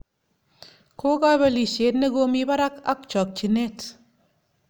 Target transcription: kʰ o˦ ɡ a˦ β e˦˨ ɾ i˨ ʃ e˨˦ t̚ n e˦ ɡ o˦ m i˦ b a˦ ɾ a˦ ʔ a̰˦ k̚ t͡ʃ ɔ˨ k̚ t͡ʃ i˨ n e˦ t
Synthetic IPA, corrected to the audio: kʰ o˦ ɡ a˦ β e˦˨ l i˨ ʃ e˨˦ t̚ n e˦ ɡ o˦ m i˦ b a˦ ɾ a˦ k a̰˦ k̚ t͡ʃ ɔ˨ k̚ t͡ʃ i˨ n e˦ t